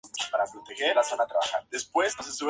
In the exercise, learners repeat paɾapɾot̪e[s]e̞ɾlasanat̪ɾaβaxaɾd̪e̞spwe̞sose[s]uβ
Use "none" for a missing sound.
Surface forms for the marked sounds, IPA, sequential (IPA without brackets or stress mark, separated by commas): x, s